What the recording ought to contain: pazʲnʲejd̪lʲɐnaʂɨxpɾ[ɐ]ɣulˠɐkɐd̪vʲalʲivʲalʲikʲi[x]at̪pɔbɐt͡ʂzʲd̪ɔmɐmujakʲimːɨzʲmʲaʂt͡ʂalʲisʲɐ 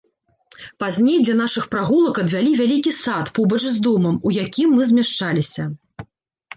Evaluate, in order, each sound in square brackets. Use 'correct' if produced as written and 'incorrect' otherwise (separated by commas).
incorrect, incorrect